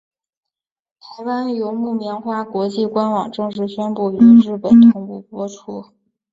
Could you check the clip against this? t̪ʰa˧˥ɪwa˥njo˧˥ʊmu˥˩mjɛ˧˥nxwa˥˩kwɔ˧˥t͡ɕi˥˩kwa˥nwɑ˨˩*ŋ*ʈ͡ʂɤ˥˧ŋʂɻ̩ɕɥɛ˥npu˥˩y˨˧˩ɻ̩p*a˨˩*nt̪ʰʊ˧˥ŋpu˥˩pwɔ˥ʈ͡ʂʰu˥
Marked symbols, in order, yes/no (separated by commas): yes, no